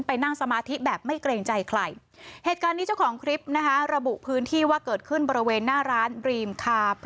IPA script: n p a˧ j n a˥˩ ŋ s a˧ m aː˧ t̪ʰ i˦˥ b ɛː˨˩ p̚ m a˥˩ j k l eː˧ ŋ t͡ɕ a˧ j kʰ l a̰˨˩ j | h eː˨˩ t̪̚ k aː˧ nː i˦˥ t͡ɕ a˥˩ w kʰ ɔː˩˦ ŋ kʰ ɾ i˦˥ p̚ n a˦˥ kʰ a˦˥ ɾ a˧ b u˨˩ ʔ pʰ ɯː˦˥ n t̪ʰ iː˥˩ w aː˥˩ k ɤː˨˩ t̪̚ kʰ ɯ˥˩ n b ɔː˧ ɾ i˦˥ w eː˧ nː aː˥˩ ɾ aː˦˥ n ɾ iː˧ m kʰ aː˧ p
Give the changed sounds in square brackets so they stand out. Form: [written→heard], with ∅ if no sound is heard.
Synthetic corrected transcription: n p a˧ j n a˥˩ ŋ s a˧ m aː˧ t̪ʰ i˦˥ b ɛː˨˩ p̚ m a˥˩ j k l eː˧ ŋ t͡ɕ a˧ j kʰ l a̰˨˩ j | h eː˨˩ t̪̚ k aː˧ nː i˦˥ t͡ɕ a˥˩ w kʰ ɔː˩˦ ŋ kʰ ɾ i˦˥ p̚ n a˦˥ kʰ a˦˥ ɾ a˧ b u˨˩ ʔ pʰ ɯː˦˥ n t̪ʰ iː˥˩ w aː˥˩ k ɤː˨˩ t̪̚ kʰ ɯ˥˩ n b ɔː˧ ɾ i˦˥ w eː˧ nː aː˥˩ ɾ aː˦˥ n ɾ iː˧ m kʰ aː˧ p